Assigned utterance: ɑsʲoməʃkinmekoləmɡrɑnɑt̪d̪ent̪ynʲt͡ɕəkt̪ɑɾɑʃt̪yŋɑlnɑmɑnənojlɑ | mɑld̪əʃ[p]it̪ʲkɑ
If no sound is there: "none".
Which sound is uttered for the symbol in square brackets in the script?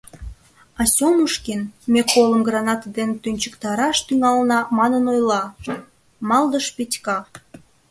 p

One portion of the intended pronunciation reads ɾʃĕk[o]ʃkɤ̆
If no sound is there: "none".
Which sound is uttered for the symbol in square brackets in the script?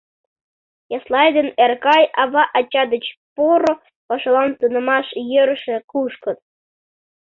u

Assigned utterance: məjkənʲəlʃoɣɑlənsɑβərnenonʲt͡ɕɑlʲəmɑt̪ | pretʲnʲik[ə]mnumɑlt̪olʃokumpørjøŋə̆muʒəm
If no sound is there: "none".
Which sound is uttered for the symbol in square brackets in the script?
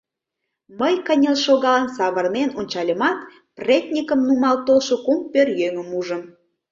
ə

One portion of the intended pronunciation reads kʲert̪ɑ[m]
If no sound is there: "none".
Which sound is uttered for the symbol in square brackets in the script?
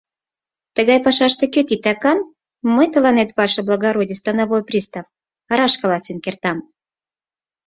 m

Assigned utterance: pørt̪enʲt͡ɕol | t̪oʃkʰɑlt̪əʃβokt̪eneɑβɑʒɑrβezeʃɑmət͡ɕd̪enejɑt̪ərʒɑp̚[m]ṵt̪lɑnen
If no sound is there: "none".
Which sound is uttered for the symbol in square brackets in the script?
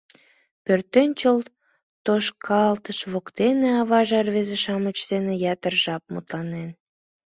m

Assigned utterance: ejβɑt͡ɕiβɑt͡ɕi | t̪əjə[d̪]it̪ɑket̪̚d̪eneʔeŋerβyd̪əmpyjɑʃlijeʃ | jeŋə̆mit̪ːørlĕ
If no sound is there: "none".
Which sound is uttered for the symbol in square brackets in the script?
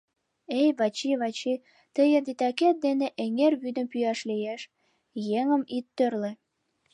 d̪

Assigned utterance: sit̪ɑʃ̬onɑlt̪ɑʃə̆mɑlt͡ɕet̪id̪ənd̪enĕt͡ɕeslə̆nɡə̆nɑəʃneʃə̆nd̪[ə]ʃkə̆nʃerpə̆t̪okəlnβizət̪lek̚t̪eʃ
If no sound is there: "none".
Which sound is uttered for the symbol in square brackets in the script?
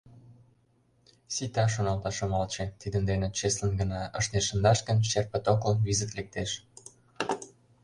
ɑ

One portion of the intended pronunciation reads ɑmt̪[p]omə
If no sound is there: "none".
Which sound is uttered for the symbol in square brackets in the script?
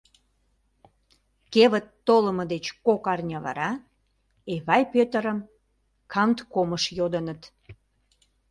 k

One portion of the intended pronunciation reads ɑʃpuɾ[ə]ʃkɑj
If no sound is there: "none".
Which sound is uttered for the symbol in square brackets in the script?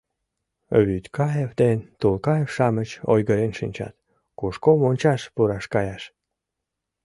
ɑ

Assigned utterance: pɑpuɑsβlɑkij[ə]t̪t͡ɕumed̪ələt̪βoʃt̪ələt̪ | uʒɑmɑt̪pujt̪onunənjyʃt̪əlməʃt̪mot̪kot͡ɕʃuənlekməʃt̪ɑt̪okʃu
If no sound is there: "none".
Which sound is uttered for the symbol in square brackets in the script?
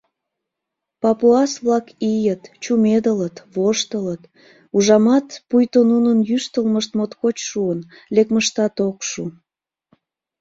ə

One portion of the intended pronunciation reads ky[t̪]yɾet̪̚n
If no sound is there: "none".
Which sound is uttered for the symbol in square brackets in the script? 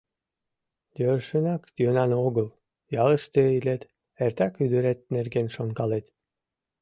d̪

